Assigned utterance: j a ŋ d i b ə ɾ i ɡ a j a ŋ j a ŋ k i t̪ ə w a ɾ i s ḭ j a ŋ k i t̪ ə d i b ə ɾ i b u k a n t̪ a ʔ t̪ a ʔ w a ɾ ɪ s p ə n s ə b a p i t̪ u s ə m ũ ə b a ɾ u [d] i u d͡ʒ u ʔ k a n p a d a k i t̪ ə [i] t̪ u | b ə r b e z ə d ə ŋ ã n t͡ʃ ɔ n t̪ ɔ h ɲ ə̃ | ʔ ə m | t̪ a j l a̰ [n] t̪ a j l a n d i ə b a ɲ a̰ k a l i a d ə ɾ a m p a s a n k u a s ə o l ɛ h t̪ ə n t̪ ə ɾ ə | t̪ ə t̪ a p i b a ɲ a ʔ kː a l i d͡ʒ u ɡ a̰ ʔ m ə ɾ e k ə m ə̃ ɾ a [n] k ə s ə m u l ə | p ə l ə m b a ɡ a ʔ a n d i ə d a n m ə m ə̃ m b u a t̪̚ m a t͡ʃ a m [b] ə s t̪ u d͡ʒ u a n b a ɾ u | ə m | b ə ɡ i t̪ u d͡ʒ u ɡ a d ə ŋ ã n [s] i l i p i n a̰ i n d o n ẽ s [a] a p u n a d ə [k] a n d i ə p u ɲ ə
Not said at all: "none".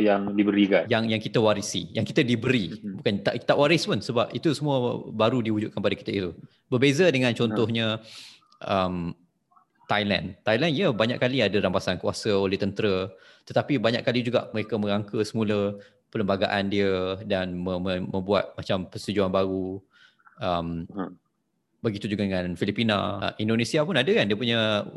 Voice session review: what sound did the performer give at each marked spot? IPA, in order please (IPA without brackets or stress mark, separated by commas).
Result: d, i, n, ŋ, p, f, i, k